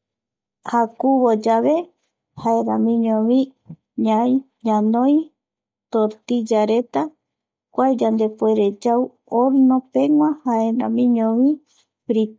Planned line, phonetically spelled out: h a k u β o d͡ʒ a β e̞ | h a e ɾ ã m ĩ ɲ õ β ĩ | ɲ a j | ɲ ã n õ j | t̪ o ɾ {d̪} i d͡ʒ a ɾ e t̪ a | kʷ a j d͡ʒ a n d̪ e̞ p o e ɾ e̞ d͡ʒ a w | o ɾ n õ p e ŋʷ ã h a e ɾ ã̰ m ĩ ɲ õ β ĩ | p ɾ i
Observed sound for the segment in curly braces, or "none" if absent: t̪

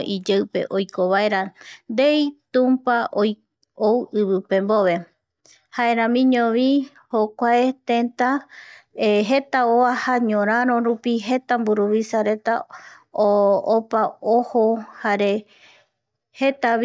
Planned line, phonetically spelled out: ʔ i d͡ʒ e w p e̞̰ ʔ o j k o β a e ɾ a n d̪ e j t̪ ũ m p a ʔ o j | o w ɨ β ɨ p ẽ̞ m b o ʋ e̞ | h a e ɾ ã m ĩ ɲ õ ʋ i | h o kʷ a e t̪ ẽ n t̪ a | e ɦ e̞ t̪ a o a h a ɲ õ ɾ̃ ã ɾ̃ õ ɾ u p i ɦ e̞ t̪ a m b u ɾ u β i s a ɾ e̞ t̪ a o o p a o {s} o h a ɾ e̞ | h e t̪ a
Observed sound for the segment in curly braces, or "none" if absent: h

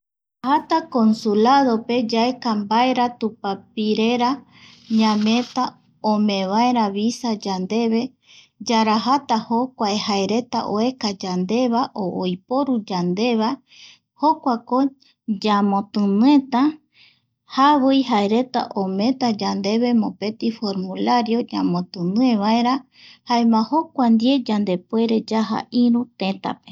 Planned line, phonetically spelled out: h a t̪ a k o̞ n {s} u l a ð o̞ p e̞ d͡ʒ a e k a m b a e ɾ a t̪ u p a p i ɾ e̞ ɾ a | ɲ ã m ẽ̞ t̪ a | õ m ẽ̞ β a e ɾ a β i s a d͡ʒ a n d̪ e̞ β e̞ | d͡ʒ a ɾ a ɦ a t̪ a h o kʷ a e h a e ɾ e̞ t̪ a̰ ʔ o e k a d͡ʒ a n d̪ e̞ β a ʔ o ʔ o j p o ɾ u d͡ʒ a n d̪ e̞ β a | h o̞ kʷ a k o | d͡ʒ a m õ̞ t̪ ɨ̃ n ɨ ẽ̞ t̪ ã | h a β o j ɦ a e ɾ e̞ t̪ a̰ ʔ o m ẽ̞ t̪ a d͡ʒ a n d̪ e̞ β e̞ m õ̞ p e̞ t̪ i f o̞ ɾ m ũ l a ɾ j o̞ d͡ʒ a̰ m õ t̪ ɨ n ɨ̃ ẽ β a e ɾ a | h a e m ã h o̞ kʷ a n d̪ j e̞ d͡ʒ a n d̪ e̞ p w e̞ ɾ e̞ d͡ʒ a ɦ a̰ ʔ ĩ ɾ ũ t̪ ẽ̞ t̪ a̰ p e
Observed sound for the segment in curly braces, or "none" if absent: s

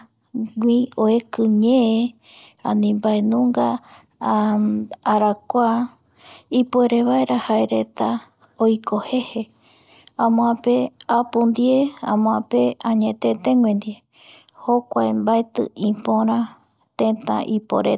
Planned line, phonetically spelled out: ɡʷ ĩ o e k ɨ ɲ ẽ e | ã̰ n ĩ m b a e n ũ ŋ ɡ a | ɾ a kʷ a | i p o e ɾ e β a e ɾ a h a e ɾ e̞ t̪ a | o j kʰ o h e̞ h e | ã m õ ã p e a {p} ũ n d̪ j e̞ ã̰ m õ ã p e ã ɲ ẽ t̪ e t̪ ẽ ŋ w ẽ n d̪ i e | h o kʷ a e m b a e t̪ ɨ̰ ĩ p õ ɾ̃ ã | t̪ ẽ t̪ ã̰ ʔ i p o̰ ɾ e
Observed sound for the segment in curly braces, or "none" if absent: p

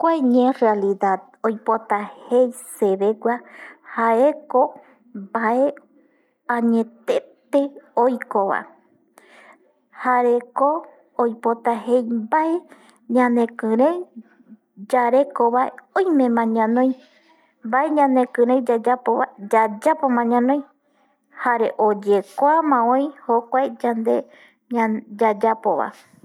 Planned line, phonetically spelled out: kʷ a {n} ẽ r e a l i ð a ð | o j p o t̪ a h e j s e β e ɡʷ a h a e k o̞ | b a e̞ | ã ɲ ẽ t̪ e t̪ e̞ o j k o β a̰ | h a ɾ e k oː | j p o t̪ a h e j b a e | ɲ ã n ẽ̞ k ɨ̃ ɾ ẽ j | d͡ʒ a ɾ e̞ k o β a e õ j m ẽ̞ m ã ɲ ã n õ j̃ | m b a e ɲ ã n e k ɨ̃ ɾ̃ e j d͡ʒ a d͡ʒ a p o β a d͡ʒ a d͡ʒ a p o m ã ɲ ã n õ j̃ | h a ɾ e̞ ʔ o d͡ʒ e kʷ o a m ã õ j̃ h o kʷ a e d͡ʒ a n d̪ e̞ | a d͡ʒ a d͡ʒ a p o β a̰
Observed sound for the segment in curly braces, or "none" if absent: ɲ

